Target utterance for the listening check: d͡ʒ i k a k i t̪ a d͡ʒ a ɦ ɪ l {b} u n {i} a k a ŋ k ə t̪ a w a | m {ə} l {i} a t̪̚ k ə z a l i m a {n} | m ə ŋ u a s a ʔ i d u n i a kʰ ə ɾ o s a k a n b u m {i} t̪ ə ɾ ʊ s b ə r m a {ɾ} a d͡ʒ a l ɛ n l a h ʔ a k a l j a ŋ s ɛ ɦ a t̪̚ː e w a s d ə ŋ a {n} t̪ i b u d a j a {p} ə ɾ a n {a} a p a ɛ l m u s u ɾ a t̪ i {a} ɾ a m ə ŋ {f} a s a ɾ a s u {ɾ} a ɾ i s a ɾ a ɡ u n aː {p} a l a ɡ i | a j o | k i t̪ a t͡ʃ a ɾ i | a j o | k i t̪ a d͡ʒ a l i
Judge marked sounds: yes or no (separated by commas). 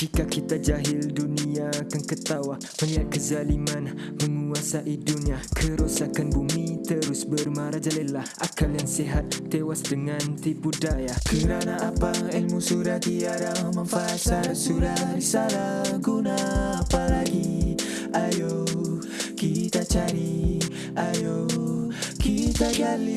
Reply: no, yes, yes, yes, yes, yes, yes, yes, no, yes, yes, yes, yes, yes